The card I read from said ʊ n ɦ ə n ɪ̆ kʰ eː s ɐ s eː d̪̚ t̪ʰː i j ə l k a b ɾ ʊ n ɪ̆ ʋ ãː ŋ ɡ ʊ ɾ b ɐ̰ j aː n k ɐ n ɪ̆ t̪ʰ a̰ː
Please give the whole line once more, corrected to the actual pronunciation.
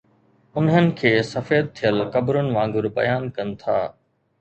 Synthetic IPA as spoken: ʊ n ɦ ə n ɪ̆ kʰ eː s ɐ f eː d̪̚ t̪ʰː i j ə l k ɐ b ɾ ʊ n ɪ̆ ʋ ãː ŋ ɡ ʊ ɾ b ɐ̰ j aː n k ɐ n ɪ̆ t̪ʰ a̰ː